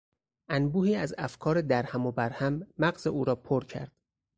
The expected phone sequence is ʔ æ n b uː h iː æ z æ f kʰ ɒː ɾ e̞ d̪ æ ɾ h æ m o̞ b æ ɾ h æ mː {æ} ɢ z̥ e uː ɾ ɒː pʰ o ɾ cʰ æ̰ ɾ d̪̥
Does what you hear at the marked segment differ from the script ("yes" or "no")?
no